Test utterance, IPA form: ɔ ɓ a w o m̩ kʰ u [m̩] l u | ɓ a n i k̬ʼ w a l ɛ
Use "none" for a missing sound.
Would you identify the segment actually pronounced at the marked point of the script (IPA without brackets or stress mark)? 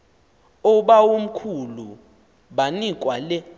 none